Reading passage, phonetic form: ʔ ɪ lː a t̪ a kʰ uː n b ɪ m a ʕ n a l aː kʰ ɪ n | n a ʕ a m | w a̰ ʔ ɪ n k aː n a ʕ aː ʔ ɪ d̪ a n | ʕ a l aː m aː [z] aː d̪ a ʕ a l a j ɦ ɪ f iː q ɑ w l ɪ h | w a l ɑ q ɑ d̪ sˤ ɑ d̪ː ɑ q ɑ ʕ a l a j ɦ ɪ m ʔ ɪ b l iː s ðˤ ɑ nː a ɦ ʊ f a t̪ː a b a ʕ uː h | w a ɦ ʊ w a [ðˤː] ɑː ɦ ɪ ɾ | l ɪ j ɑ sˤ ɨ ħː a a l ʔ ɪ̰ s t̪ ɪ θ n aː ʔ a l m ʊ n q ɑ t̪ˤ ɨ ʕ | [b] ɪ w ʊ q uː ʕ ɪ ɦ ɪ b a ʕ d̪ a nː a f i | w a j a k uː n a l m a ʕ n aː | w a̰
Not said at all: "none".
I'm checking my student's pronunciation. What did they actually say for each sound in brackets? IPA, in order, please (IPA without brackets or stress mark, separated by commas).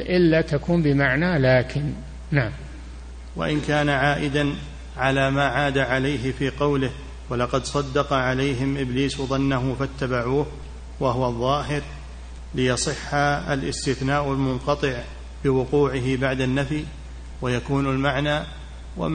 ʕ, ðˤː, b